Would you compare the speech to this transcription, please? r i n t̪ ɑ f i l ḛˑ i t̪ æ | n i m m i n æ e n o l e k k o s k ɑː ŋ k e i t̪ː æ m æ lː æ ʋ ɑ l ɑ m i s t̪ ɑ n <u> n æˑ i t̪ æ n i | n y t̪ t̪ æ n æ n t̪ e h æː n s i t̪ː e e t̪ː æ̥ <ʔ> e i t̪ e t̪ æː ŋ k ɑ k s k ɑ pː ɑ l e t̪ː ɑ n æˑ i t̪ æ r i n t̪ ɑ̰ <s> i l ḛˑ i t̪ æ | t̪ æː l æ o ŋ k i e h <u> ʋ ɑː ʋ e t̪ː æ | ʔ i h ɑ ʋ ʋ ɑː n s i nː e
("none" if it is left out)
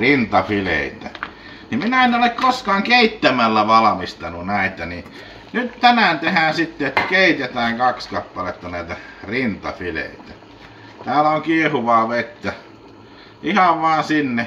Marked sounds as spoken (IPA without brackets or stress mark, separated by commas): u, k, f, u